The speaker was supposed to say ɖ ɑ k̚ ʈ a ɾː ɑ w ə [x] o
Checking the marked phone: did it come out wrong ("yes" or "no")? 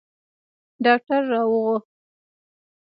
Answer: yes